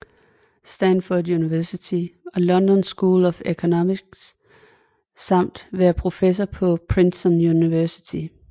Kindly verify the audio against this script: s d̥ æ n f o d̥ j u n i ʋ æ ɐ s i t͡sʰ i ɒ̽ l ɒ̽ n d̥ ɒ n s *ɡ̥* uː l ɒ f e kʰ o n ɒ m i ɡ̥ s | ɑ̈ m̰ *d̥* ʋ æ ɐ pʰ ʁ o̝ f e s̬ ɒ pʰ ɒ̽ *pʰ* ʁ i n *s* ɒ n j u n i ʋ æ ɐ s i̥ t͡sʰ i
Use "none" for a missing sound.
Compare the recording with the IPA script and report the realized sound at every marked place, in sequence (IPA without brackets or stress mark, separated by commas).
ɡ̥, d̥, pʰ, s